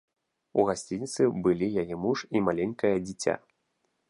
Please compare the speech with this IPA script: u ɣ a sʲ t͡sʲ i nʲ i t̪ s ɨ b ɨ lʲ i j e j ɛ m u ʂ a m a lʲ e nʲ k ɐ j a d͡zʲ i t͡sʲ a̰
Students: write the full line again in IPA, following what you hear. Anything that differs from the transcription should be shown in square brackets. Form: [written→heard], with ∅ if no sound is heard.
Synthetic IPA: u ɣ a sʲ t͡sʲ i nʲ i t̪ s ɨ b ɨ lʲ i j [e→a] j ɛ m u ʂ [a→i] m a lʲ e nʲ k ɐ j [a→ɐ] d͡zʲ i t͡sʲ a̰